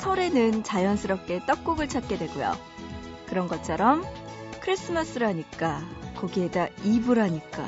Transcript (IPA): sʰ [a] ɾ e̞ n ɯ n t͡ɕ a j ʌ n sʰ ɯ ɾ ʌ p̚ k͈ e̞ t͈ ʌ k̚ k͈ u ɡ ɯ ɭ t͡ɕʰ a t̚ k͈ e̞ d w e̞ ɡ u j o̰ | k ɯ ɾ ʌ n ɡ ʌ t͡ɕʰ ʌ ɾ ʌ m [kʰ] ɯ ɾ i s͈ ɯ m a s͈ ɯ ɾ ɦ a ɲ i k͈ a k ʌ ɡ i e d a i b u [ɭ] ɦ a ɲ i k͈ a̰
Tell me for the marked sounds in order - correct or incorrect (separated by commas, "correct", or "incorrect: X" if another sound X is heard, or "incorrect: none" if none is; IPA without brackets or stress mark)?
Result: incorrect: ʌ, correct, incorrect: ɾ